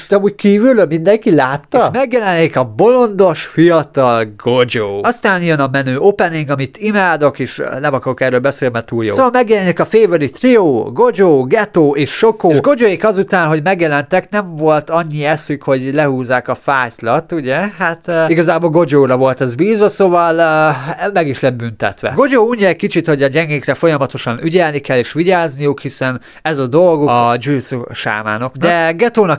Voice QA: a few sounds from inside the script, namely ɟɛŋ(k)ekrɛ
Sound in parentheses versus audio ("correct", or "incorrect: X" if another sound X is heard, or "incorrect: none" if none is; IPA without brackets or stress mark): incorrect: ɡ